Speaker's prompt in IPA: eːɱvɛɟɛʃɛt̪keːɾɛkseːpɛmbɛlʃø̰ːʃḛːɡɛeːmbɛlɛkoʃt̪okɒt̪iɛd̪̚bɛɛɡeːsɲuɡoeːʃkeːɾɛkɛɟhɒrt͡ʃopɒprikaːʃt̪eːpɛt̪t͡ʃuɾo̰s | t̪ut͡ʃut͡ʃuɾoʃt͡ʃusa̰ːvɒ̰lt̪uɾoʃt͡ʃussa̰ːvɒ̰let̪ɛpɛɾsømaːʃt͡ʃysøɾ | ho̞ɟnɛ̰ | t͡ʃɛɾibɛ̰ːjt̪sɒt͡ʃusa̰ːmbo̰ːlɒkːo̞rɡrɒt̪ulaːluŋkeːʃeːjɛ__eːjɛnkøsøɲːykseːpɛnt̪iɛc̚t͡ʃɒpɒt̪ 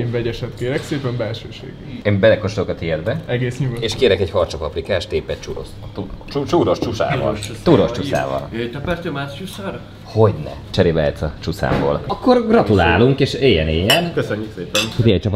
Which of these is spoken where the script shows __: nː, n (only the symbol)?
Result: n